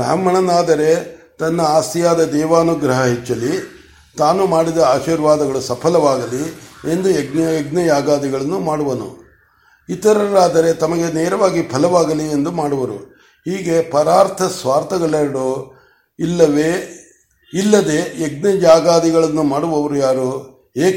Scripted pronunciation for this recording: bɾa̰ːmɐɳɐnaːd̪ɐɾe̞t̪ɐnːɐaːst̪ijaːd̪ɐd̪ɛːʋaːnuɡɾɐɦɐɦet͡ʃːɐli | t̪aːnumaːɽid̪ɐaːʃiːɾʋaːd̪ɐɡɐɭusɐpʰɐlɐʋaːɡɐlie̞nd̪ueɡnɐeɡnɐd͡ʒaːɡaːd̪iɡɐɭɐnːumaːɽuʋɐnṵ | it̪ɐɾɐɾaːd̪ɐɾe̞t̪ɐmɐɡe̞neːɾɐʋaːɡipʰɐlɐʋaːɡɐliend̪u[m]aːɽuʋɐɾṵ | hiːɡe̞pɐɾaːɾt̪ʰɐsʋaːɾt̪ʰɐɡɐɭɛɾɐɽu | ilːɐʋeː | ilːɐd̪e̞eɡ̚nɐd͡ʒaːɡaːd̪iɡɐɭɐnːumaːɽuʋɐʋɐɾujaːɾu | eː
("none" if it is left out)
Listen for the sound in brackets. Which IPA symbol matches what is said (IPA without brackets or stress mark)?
m